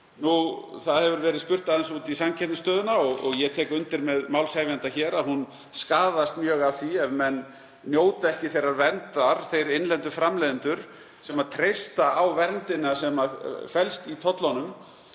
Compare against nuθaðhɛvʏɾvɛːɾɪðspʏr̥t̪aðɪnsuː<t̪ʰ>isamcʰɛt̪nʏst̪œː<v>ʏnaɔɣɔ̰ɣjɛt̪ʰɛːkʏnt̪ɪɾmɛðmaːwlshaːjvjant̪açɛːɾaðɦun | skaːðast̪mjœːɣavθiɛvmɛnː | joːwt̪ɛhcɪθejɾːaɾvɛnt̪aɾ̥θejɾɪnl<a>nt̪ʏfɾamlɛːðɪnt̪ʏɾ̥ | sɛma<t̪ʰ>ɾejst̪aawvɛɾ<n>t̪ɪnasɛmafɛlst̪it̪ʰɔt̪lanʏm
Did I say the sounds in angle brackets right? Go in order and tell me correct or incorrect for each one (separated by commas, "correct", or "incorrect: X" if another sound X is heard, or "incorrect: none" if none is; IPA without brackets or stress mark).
incorrect: t̪, incorrect: ð, incorrect: ɛ, correct, correct